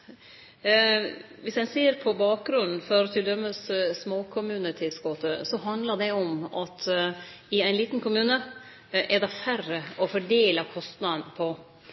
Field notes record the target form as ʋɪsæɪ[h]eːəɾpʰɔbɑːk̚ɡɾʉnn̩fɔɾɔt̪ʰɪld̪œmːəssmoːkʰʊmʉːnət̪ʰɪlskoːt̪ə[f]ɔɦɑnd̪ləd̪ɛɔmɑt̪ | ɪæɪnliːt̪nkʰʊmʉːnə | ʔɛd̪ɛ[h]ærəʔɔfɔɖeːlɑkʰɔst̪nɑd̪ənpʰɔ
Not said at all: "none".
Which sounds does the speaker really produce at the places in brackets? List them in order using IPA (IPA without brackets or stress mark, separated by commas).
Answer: s, s, f